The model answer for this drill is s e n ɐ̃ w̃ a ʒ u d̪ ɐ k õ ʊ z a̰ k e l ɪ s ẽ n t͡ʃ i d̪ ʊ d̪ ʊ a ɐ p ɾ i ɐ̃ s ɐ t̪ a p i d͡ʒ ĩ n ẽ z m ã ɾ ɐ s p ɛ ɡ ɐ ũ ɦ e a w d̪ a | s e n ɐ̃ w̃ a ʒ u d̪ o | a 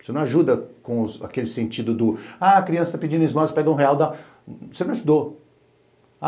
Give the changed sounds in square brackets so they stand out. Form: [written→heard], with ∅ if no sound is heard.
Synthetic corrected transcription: s e n ɐ̃ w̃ a ʒ u d̪ ɐ k õ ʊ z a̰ k e l ɪ s ẽ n t͡ʃ i d̪ ʊ d̪ ʊ a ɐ [p→k] ɾ i ɐ̃ s ɐ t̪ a p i d͡ʒ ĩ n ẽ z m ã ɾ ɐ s p ɛ ɡ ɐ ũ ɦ e a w d̪ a | s e n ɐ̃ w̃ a ʒ u d̪ o | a